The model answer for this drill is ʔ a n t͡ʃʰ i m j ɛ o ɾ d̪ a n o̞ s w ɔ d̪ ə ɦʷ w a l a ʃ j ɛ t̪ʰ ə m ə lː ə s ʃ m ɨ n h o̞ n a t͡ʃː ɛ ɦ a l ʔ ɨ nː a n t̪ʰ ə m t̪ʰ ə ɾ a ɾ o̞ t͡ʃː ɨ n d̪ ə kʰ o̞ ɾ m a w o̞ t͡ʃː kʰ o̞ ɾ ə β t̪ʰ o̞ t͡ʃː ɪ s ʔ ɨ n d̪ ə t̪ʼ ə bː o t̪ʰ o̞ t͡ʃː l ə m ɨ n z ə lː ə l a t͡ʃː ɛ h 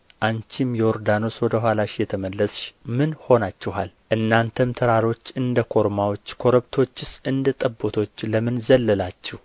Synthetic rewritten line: ʔ a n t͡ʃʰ i m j ɛ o ɾ d̪ a n o̞ s w ɔ d̪ ə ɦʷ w a l a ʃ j ɛ t̪ʰ ə m ə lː ə s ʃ m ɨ n h o̞ n a t͡ʃː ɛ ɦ a l ʔ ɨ nː a n t̪ʰ ə m t̪ʰ ə ɾ a ɾ o̞ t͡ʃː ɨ n d̪ ə kʰ o̞ ɾ m a w o̞ t͡ʃː kʰ o̞ ɾ ə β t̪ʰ o̞ t͡ʃː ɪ s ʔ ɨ n d̪ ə t̪ʼ ə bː o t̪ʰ o̞ t͡ʃː l ə m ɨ n z ə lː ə l a t͡ʃː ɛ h

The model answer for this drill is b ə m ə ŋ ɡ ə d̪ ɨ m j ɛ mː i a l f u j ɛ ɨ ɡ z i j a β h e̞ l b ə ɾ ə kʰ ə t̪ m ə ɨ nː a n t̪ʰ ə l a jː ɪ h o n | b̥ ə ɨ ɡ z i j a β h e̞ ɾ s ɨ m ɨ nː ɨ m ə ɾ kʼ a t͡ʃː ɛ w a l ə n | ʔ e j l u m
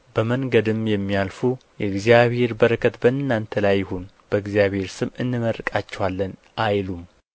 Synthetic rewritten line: b ə m ə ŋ ɡ ə d̪ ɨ m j ɛ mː i a l f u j ɛ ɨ ɡ z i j a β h e̞ ɾ b ə ɾ ə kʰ ə t̪ b ə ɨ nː a n t̪ʰ ə l a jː ɪ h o n | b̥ ə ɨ ɡ z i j a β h e̞ ɾ s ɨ m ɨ nː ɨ m ə ɾ kʼ a t͡ʃː ɛ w a lː ə n | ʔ a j l u m

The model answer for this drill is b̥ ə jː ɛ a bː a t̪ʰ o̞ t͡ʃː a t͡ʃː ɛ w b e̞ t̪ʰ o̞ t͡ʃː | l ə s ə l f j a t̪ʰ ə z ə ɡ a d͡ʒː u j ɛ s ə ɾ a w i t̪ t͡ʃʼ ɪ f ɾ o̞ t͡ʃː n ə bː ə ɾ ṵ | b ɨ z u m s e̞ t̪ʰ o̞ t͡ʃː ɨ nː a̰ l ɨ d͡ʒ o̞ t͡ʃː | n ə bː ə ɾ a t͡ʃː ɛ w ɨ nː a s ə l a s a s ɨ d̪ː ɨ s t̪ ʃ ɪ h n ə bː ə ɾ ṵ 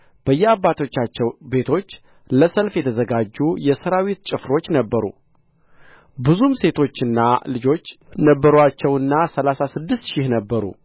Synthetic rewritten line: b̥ ə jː ɛ a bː a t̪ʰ o̞ t͡ʃː a t͡ʃː ɛ w b e̞ t̪ʰ o̞ t͡ʃː | l ə s ə l f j ɛ t̪ʰ ə z ə ɡ a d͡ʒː u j ɛ s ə ɾ a w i t̪ t͡ʃʼ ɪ f ɾ o̞ t͡ʃː n ə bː ə ɾ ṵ | b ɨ z u m s e̞ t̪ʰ o̞ t͡ʃː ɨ nː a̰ l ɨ d͡ʒ o̞ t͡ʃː | n ə bː ə ɾ a t͡ʃː ɛ w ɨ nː a s ə l a s a s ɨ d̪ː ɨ s t̪ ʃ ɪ h n ə bː ə ɾ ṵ

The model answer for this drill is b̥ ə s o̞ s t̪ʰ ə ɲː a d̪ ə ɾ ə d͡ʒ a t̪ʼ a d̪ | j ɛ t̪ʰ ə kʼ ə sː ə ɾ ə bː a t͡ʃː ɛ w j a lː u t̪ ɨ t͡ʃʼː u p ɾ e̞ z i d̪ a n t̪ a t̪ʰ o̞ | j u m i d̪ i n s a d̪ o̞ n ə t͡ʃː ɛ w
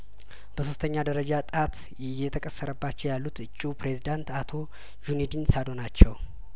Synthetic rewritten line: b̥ ə s o̞ s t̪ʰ ə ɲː a d̪ ə ɾ ə d͡ʒ a t̪ʼ a t̪ | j ɛ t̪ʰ ə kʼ ə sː ə ɾ ə bː a t͡ʃː ɛ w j a lː u t̪ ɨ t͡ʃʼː u p ɾ e̞ z i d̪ a n t̪ a t̪ʰ o̞ | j u n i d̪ i n s a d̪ o̞ n a t͡ʃː ɛ w

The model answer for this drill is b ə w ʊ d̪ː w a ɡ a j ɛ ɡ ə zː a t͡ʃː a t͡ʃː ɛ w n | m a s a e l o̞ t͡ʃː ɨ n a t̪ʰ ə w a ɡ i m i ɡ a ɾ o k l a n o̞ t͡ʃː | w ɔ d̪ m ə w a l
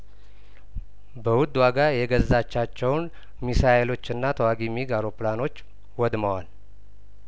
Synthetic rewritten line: b ə w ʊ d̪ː w a ɡ a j ɛ ɡ ə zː a t͡ʃː a t͡ʃː ɛ w n | m i s a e l o̞ t͡ʃː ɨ nː a t̪ʰ ə w a ɡ i m i ɡ a ɾ o p l a n o̞ t͡ʃː | w ɔ d̪ m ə w a l

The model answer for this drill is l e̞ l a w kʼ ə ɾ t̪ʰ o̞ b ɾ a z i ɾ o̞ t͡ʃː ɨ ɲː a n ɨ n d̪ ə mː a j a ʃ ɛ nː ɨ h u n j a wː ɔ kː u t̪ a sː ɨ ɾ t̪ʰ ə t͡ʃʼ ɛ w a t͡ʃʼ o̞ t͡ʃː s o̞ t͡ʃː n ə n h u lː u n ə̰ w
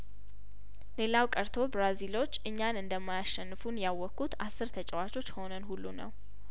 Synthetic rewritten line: l e̞ l a w kʼ ə ɾ t̪ʰ o̞ b ɾ a z i l o̞ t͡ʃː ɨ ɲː a n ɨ n d̪ ə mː a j a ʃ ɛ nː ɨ f u n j a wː ɔ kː u t̪ a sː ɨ ɾ t̪ʰ ə t͡ʃʼ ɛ w a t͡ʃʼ o̞ t͡ʃː h o̞ n ə n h u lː u n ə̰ w

